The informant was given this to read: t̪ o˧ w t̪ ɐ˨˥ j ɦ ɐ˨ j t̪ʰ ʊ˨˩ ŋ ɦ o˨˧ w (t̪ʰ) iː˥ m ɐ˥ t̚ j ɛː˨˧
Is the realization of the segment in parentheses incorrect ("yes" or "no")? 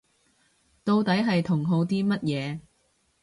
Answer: yes